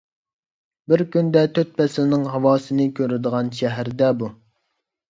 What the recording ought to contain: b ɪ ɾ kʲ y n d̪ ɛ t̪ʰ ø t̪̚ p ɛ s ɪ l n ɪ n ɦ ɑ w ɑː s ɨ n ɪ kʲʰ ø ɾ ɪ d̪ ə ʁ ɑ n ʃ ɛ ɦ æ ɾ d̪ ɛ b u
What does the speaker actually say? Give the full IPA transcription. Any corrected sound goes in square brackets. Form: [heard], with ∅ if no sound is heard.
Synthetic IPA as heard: b ɪ ɾ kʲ y n d̪ ɛ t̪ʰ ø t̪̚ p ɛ s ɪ l n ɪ [ŋ] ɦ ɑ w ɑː s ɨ n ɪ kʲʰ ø ɾ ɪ d̪ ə ʁ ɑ n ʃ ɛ ɦ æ ɾ d̪ ɛ b u